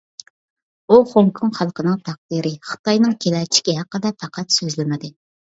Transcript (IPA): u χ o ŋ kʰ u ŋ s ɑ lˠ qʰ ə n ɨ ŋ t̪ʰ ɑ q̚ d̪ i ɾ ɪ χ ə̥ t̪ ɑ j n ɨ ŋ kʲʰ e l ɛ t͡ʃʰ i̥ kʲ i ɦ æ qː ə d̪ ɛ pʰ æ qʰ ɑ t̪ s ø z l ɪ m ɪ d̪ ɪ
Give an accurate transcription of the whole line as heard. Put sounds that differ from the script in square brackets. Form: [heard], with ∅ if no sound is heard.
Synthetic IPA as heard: u χ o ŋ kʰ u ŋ [χ] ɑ lˠ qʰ ə n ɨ ŋ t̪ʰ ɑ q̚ d̪ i ɾ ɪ χ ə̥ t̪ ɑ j n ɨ ŋ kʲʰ e l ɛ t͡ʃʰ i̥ kʲ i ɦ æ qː ə d̪ ɛ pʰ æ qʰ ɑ t̪ s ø z l ɪ m ɪ d̪ ɪ